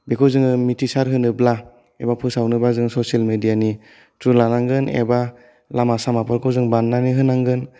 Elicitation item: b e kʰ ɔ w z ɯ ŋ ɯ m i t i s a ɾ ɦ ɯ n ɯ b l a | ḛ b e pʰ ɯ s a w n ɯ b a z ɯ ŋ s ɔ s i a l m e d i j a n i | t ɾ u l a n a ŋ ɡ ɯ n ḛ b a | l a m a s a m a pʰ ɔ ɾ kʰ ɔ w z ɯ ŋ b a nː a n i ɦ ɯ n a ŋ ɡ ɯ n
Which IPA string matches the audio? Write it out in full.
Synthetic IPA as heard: b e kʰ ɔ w z ɯ ŋ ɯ m i t i s a ɾ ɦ ɯ n ɯ b l a | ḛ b a pʰ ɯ s a w n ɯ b a z ɯ ŋ s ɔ s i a l m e d i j a n i | t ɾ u l a n a ŋ ɡ ɯ n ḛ b a | l a m a s a m a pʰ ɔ ɾ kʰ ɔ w z ɯ ŋ b a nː a n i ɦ ɯ n a ŋ ɡ ɯ n